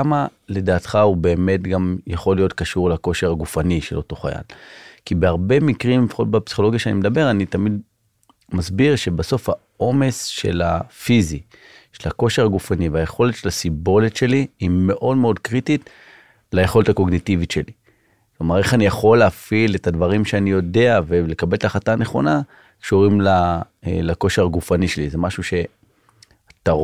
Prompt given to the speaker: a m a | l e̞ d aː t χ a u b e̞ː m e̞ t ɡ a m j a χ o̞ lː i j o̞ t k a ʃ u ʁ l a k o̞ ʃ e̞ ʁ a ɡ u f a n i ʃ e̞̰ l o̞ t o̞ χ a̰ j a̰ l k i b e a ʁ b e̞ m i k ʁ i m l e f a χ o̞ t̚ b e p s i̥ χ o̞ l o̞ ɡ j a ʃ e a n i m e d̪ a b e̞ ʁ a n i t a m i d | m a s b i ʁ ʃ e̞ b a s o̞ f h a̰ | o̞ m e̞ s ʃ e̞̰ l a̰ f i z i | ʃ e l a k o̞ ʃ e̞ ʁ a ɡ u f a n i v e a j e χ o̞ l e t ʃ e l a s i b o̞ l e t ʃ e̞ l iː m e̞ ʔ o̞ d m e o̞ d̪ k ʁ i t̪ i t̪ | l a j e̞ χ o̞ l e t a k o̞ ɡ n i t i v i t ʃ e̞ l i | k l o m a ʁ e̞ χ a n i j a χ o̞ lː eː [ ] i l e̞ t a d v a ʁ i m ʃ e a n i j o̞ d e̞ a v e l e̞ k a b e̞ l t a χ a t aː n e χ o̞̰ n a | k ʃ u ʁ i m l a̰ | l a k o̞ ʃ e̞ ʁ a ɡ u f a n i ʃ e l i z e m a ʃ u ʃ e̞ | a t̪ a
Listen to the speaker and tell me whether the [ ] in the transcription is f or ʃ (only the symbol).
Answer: f